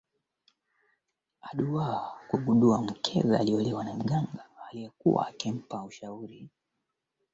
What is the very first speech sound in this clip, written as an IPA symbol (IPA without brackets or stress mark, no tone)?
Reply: a